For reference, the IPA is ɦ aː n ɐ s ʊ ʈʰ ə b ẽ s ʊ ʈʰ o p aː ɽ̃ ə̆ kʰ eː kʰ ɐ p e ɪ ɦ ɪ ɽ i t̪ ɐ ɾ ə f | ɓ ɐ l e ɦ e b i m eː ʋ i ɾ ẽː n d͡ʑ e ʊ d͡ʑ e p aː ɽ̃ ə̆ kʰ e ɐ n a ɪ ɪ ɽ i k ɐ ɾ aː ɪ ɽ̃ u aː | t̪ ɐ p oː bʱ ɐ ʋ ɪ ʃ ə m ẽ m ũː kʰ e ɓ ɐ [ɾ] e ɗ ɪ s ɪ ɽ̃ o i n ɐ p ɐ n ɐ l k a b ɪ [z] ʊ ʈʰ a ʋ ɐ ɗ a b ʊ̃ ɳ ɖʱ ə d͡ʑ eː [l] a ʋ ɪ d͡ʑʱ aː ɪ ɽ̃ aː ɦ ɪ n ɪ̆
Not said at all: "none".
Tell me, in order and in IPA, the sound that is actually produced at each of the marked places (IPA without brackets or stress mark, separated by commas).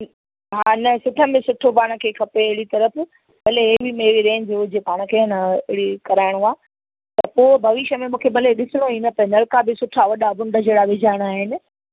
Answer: l, s, ɽ